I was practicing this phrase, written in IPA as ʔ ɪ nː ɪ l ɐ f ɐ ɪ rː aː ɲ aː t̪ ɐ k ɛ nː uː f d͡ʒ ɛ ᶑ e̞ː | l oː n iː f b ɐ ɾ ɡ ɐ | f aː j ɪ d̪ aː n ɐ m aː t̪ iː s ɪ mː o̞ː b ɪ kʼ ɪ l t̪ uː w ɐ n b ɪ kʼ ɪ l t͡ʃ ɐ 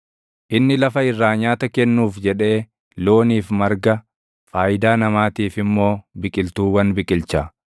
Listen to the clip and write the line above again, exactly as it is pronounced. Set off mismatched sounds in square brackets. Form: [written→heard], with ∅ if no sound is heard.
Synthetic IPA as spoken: ʔ ɪ nː ɪ l ɐ f ɐ ɪ rː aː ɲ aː t̪ ɐ k ɛ nː uː f d͡ʒ ɛ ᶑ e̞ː | l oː n iː f [b→m] ɐ ɾ ɡ ɐ | f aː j ɪ d̪ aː n ɐ m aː t̪ iː [s→f] ɪ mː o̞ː b ɪ kʼ ɪ l t̪ uː w ɐ n b ɪ kʼ ɪ l t͡ʃ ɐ